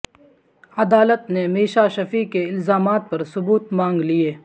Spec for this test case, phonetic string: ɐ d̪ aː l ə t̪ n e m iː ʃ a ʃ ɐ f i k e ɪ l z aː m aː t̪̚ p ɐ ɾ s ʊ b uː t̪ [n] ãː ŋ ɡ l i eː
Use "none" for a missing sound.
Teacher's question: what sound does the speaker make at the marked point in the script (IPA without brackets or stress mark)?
m